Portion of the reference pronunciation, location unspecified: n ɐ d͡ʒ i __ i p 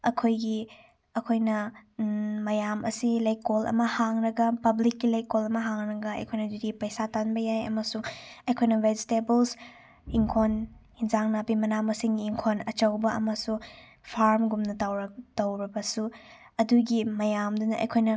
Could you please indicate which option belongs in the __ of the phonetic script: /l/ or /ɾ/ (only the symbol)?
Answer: ɾ